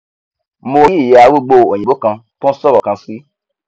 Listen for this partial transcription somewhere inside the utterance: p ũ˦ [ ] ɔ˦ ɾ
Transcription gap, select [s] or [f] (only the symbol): s